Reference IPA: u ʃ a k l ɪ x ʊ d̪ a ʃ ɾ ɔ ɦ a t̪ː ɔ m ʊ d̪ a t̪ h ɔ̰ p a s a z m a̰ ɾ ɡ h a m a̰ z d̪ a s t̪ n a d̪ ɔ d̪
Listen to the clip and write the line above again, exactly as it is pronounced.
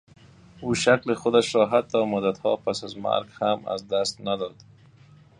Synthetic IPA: u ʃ a k l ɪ x ʊ d̪ a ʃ ɾ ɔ ɦ a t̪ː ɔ m ʊ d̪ a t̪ h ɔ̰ p a s a z m a̰ ɾ ɡ h a m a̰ z d̪ a s t̪ n a d̪ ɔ d̪